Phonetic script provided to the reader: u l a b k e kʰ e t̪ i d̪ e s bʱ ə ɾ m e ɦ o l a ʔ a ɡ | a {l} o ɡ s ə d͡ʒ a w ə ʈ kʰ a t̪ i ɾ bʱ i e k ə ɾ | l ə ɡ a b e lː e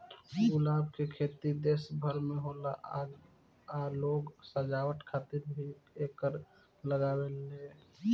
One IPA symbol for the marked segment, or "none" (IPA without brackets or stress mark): l